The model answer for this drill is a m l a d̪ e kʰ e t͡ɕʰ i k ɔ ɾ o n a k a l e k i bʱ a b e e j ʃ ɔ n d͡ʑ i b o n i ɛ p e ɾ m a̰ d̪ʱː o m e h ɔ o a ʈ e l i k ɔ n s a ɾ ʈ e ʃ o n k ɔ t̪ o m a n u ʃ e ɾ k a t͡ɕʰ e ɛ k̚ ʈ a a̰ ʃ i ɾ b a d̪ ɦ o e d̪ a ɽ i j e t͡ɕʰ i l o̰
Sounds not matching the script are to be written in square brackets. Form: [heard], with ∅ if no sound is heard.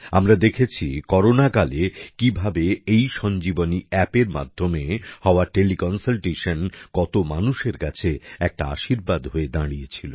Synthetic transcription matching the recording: a m [ɾ] a d̪ e kʰ e t͡ɕʰ i k ɔ ɾ o n a k a l e k i bʱ a b e e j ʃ ɔ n d͡ʑ i b o n i ɛ p e ɾ m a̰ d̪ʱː o m e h ɔ o a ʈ e l i k ɔ n s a [l] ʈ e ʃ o n k ɔ t̪ o m a n u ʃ e ɾ k a t͡ɕʰ e ɛ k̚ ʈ a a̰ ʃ i ɾ b a d̪ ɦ o e d̪ a ɽ i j e t͡ɕʰ i l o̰